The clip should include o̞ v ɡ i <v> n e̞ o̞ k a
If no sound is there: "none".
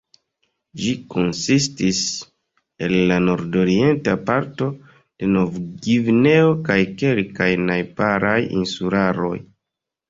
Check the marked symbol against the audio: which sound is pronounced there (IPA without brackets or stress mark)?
v